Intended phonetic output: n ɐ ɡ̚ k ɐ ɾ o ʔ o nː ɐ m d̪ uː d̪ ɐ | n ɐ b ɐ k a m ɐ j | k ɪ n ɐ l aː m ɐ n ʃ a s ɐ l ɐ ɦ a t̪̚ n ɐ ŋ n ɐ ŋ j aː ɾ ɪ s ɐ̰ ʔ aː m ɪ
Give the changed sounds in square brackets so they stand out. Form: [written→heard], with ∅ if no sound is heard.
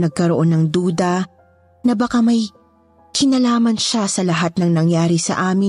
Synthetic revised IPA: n ɐ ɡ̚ k ɐ ɾ o ʔ o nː ɐ [m→ŋ] d̪ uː d̪ ɐ | n ɐ b ɐ k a m ɐ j | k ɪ n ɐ l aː m ɐ n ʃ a s ɐ l ɐ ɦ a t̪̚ n ɐ ŋ n ɐ ŋ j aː ɾ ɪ s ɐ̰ ʔ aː m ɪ